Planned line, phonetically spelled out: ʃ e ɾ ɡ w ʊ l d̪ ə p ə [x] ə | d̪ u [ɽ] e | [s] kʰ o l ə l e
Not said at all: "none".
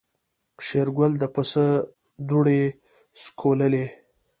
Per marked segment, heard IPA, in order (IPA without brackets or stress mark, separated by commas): s, ɽ, s